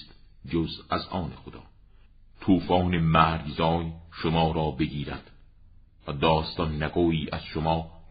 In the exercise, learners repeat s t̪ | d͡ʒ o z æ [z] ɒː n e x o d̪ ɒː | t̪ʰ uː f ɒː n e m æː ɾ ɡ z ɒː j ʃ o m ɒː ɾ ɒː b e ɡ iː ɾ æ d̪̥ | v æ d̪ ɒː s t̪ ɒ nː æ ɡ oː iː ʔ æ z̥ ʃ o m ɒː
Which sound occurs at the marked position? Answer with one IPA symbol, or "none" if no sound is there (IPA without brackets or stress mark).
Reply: z